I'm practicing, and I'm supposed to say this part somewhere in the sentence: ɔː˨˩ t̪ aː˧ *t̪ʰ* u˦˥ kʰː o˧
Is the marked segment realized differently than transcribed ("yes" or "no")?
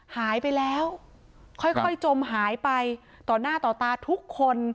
no